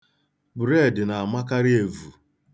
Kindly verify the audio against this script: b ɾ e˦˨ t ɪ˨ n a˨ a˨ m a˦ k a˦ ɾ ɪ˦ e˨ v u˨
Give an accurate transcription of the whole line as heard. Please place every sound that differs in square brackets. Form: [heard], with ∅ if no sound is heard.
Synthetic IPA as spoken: b ɾ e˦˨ [d] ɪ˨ n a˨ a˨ m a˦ k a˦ ɾ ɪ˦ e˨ v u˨